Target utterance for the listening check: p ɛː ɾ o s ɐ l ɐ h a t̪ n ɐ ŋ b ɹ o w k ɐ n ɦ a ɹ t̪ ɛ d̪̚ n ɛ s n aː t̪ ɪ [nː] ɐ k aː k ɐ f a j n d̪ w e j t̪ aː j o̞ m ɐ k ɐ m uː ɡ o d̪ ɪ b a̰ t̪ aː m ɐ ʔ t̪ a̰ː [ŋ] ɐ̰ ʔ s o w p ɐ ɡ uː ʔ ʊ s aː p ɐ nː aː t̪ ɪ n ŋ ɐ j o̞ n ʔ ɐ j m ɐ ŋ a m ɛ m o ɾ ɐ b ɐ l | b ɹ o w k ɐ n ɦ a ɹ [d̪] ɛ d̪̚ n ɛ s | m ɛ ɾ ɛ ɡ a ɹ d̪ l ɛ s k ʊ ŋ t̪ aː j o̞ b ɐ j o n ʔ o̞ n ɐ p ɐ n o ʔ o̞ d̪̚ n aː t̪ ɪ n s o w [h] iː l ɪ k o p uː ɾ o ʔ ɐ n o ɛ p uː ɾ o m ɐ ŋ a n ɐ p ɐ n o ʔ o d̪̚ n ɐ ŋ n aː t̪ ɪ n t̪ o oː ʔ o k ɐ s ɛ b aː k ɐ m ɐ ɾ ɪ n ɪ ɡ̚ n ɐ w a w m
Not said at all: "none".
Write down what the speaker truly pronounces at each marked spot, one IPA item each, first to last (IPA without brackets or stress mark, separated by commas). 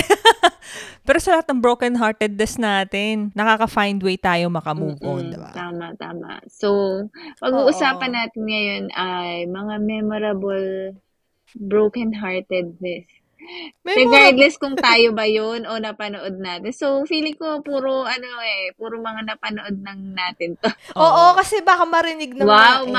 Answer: nː, m, t̪, f